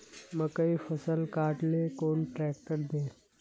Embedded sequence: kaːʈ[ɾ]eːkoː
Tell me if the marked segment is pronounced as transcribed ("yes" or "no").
no